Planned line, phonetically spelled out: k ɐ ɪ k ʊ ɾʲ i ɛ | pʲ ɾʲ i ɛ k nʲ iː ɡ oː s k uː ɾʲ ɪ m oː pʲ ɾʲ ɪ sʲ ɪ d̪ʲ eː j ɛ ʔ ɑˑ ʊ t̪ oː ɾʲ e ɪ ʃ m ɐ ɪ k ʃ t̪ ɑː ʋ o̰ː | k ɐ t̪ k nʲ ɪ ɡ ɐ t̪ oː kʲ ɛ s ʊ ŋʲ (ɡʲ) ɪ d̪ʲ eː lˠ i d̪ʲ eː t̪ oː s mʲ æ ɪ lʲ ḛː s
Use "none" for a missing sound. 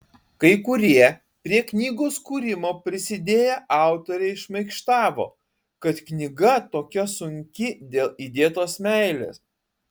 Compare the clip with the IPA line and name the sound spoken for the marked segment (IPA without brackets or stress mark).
kʲ